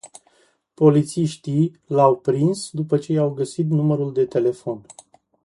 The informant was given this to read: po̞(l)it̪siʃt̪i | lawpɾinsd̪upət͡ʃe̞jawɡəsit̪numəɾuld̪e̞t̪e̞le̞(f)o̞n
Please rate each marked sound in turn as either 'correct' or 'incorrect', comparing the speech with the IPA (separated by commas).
correct, correct